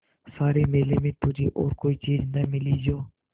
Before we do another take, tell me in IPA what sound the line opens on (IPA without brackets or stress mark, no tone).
s